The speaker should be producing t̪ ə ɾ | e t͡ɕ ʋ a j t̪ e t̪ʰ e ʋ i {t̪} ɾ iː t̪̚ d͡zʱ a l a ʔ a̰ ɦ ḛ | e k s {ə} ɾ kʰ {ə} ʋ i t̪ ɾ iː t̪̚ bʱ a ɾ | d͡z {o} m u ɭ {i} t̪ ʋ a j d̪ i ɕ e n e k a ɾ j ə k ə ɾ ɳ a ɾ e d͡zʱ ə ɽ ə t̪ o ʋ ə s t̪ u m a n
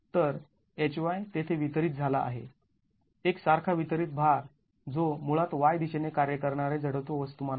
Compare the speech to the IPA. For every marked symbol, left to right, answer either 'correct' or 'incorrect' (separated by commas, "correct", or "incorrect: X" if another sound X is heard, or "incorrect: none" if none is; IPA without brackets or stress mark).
correct, incorrect: a, incorrect: a, correct, incorrect: a